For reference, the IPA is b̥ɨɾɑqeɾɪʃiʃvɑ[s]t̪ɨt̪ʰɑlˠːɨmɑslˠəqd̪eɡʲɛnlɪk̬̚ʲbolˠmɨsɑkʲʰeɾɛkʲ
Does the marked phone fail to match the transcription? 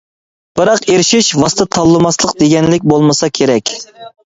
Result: no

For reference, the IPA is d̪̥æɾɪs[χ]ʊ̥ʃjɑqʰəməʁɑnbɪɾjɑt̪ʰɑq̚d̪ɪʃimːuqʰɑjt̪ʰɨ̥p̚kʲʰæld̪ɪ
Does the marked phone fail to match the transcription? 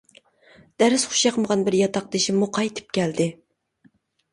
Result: no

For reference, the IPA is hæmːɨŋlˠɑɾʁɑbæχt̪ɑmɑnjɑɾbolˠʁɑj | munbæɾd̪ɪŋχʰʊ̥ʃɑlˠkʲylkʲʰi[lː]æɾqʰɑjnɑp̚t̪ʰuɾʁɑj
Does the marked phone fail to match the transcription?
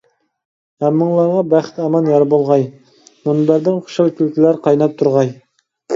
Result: yes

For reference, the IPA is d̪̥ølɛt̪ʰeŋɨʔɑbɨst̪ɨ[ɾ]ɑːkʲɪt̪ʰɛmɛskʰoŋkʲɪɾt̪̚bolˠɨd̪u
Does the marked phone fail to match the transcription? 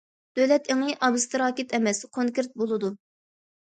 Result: no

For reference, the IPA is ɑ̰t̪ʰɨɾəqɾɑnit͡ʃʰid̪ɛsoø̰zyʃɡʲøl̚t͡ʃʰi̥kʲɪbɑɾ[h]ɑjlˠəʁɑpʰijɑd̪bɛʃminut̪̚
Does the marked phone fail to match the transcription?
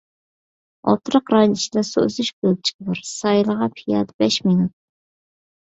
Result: yes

